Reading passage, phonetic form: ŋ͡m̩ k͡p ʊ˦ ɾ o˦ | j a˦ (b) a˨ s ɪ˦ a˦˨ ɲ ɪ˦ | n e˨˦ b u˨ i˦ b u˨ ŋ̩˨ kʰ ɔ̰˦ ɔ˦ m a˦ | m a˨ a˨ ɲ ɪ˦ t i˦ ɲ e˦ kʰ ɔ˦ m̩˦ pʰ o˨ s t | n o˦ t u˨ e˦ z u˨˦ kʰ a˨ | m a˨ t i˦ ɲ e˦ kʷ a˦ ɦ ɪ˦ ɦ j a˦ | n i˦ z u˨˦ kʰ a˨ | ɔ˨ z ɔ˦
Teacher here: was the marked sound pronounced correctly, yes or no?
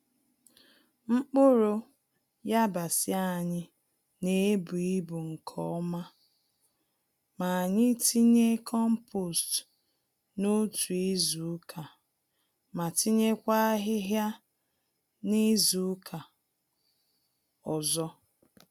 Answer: yes